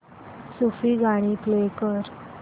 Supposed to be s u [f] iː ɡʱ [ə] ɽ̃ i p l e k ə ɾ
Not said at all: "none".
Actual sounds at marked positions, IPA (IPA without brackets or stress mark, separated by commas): f, a